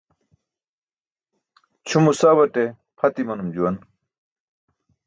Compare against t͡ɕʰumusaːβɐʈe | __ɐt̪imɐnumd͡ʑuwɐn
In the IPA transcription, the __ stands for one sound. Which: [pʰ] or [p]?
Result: pʰ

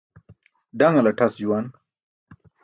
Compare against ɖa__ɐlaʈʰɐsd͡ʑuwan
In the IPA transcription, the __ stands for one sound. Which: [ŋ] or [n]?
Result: ŋ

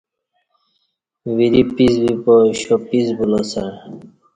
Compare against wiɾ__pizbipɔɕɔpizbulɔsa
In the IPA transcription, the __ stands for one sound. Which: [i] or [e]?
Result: i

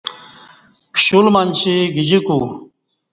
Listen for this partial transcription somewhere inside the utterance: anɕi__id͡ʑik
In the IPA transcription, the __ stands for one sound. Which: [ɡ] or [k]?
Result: ɡ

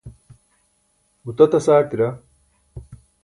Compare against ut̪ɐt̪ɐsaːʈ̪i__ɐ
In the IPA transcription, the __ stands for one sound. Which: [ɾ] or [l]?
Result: ɾ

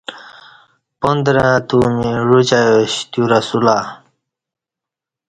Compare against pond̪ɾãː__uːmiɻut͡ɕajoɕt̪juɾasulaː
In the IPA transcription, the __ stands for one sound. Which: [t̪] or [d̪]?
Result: t̪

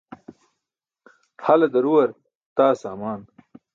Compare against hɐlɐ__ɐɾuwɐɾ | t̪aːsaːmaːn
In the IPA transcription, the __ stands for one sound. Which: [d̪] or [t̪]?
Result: d̪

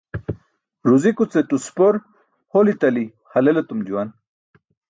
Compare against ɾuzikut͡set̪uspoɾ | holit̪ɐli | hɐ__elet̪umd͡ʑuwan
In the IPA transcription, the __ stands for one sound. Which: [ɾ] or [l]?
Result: l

